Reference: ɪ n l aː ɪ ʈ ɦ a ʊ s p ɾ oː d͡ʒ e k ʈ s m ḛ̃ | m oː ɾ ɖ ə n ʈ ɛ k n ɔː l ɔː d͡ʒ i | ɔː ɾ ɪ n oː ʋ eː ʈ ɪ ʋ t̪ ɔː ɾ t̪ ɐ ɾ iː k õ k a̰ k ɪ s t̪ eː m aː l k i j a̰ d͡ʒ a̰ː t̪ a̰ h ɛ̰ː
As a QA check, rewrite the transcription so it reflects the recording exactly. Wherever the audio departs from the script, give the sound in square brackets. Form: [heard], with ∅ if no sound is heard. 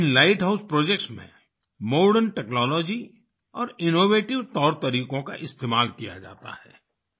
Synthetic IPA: ɪ n l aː ɪ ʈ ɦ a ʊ s p ɾ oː d͡ʒ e k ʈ s m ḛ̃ | m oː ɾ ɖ ə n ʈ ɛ k n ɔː l ɔː d͡ʒ i | ɔː ɾ ɪ n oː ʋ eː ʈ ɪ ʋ t̪ ɔː ɾ t̪ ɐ ɾ iː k õ k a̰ [ʔ] ɪ s t̪ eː m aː l k i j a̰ d͡ʒ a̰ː t̪ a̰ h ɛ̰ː